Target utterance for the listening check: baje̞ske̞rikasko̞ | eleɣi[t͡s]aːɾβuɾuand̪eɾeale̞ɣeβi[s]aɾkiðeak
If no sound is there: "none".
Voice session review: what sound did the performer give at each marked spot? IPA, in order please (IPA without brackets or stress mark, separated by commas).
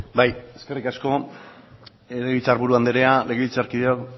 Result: t͡s, t͡s